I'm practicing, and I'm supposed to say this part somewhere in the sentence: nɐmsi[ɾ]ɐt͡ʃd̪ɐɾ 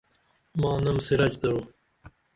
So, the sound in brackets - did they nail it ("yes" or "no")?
yes